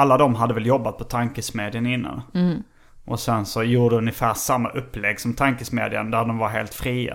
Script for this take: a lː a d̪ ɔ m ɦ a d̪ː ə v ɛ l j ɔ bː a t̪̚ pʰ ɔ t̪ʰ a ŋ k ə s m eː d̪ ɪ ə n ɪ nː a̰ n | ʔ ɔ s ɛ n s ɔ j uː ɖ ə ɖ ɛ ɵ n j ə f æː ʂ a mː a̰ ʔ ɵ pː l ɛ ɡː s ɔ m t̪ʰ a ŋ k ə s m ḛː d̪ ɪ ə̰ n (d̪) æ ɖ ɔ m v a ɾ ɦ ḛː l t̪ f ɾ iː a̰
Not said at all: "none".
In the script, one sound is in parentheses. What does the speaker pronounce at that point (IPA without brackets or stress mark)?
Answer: d̪